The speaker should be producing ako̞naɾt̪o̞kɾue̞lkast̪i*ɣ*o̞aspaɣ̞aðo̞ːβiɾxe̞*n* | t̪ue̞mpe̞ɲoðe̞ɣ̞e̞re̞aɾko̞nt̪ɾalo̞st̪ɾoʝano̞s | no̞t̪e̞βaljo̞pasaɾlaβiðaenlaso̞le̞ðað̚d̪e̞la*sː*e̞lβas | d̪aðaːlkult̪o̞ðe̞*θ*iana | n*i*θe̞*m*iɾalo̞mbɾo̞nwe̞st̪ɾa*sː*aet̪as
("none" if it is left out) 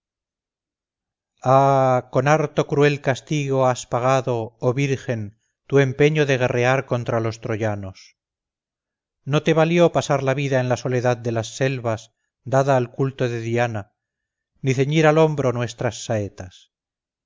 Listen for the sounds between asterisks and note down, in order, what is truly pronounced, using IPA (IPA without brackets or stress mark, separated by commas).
ɣ, n, sː, ð, i, ɲ, sː